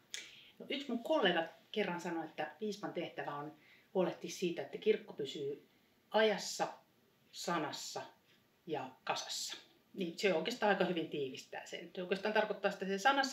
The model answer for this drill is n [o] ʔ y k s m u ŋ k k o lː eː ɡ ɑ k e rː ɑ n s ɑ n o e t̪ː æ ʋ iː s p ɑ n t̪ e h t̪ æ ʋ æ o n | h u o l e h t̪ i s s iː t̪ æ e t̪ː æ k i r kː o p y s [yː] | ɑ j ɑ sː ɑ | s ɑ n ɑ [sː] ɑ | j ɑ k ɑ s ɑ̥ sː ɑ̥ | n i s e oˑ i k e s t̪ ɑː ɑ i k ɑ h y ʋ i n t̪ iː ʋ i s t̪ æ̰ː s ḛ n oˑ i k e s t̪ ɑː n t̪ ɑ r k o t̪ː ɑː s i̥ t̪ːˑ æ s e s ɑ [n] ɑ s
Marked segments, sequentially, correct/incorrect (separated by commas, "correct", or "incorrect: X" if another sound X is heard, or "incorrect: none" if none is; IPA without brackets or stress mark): correct, correct, correct, correct